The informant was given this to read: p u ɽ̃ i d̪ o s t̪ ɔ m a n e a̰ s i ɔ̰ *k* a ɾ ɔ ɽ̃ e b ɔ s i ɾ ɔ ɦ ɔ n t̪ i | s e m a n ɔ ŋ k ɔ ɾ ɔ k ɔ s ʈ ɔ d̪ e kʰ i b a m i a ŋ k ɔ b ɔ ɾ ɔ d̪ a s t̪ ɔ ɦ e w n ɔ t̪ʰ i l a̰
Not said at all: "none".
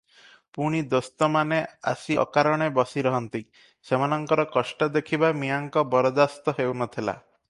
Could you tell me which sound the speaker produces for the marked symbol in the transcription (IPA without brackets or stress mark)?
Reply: k